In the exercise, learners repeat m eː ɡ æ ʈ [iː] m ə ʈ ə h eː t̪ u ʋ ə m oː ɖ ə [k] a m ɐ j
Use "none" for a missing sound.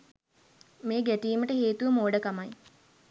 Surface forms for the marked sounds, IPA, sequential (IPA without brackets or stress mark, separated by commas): iː, k